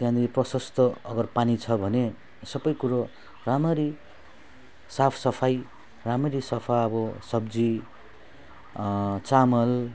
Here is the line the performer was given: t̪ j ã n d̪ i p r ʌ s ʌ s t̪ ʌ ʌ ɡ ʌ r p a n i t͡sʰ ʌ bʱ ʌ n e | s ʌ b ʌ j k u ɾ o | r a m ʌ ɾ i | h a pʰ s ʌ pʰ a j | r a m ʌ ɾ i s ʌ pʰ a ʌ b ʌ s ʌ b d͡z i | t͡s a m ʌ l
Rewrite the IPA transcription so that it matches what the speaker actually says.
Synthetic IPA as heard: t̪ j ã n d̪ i p r ʌ s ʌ s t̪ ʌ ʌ ɡ ʌ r p a n i t͡sʰ ʌ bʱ ʌ n e | s ʌ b ʌ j k u ɾ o | r a m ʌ ɾ i | s a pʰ s ʌ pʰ a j | r a m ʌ ɾ i s ʌ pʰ a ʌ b ʌ s ʌ b d͡z i | t͡s a m ʌ l